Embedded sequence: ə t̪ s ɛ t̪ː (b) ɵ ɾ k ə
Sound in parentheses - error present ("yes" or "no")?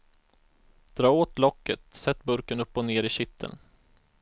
no